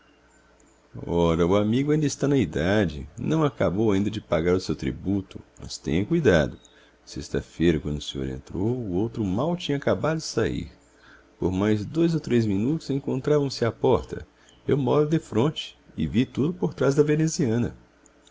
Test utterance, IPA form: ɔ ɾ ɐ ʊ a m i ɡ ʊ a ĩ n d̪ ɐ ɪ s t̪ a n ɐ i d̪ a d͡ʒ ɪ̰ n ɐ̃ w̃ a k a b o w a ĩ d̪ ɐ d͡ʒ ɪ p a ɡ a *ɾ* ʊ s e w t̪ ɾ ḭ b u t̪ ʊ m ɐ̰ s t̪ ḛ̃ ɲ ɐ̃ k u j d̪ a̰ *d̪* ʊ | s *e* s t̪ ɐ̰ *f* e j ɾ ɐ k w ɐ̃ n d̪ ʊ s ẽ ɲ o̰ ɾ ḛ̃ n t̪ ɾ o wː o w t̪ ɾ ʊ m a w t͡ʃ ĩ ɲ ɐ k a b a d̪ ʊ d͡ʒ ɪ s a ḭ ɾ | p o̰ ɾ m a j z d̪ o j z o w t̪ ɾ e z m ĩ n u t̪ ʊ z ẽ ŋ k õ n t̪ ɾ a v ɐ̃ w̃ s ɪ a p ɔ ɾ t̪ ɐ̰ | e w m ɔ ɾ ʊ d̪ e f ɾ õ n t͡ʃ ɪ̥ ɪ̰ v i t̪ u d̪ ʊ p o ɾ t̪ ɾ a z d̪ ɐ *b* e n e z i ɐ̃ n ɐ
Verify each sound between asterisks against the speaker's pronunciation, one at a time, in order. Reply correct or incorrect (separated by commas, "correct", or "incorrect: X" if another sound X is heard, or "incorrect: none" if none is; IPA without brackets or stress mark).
correct, correct, correct, correct, incorrect: v